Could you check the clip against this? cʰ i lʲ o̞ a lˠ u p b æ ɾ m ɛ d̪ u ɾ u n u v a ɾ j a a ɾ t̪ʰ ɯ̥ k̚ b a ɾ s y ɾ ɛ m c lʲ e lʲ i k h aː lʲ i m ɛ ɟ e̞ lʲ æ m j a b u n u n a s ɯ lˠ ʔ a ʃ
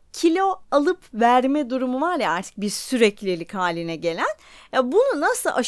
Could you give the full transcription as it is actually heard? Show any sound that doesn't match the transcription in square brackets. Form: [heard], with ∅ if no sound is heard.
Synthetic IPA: cʰ i lʲ o̞ a lˠ [ɯ] p [v] æ ɾ m ɛ d̪ u ɾ u [m] u v a ɾ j a a ɾ t̪ʰ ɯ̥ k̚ b [i] ɾ s y ɾ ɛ [∅] c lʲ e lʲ i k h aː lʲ i [n] ɛ ɟ e̞ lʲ æ [n] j a b u n u n a s ɯ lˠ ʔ a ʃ